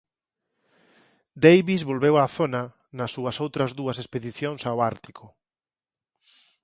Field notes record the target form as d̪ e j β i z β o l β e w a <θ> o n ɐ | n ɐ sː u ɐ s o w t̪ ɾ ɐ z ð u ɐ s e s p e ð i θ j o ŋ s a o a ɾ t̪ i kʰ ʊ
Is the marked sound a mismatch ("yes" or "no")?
no